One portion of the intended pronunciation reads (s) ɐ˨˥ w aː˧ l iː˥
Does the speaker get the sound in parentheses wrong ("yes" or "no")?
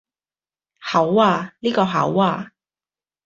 yes